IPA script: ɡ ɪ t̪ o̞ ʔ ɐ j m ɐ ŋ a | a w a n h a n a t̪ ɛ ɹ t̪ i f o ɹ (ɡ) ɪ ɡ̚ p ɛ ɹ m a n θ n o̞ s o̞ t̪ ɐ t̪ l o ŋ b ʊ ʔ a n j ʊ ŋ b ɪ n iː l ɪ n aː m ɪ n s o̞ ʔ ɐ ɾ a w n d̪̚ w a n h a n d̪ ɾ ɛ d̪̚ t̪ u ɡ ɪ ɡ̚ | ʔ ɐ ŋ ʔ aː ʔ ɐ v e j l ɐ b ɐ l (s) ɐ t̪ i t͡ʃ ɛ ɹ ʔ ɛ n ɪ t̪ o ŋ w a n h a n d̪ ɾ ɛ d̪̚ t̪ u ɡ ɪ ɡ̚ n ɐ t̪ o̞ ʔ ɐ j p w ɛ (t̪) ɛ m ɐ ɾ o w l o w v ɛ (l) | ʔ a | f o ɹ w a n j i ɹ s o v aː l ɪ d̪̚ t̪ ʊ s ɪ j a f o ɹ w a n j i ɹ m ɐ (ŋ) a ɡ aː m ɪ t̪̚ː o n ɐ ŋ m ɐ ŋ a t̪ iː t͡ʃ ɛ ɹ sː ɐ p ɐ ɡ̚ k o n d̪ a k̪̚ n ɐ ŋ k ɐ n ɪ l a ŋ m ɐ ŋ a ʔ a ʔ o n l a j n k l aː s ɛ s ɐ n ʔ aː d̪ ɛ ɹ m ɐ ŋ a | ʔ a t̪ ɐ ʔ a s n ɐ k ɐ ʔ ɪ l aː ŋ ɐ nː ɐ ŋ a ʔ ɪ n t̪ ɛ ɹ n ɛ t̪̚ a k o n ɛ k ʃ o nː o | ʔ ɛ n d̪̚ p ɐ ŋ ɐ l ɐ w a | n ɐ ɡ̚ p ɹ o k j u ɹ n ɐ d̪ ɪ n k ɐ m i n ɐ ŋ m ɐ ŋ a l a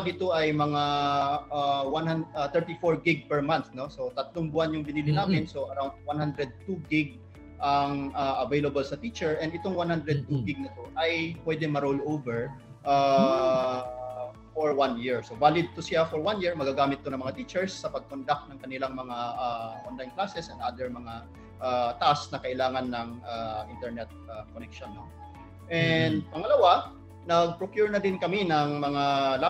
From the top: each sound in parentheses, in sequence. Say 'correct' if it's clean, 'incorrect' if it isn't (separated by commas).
correct, correct, incorrect, incorrect, incorrect